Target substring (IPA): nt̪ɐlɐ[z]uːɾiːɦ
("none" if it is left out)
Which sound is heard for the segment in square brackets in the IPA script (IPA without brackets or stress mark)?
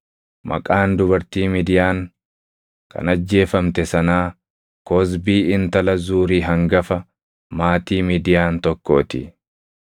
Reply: z